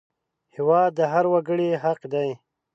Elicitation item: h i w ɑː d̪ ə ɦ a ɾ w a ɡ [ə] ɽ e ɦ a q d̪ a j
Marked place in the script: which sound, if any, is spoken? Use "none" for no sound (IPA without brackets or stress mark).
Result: ə